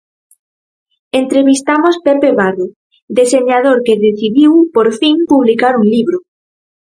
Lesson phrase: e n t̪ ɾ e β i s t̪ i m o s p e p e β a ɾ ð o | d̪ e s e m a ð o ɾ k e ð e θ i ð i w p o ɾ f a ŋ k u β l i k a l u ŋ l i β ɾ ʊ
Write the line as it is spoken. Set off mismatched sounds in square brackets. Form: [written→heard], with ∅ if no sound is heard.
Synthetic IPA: e n t̪ ɾ e β i s t̪ [i→a] m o s p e p e β a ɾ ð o | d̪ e s e [m→ɲ] a ð o ɾ k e ð e θ i ð i w p o ɾ f [a→i] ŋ [k→p] u β l i k a [l→ɾ] u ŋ l i β ɾ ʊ